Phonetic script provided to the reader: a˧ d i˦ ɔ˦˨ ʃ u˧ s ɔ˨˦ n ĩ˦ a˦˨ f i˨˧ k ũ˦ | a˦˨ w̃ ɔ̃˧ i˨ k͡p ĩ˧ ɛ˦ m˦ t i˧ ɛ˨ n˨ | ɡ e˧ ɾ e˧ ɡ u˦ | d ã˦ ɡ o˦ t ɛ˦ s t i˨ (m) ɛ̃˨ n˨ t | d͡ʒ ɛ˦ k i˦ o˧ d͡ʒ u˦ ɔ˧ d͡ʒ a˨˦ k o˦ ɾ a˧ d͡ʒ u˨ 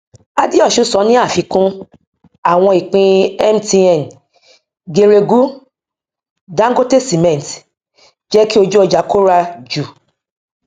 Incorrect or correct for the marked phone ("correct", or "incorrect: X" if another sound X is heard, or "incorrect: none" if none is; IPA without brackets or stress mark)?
correct